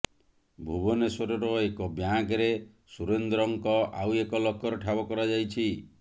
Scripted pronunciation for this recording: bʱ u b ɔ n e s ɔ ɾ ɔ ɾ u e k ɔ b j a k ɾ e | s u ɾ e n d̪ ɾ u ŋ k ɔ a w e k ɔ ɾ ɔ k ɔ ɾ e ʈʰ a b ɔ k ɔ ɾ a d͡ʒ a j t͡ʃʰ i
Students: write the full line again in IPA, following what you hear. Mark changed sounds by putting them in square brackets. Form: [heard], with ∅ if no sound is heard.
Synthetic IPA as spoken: bʱ u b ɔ n e s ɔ ɾ ɔ ɾ [ɔ] e k ɔ b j a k ɾ e | s u ɾ e n d̪ ɾ [ɔ] ŋ k ɔ a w e k ɔ [l] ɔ k ɔ ɾ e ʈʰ a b ɔ k ɔ ɾ a d͡ʒ a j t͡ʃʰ i